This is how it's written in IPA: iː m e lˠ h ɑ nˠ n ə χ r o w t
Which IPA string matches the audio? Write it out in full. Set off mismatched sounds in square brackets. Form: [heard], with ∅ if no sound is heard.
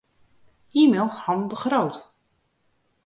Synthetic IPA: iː m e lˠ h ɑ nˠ [d] ə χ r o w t

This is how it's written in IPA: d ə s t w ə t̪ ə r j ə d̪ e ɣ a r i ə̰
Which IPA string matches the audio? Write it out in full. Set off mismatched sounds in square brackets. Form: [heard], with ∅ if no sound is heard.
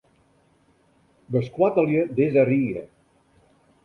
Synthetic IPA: [b] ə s [k] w [a] t̪ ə [l] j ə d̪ e [z] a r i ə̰

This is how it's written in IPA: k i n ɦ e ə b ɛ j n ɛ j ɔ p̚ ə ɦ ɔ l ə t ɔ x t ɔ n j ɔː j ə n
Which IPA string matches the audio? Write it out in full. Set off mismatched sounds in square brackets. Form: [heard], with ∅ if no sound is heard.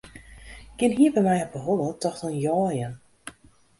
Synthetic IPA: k [ɪ] n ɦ [i] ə b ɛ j [m] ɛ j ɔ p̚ ə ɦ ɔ l ə t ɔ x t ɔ n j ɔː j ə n

